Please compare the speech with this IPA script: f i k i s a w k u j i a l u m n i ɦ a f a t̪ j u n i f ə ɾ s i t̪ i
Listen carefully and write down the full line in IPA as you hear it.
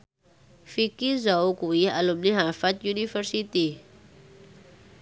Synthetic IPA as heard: f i k i z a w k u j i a l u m n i ɦ a f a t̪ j u n i f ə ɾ s i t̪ i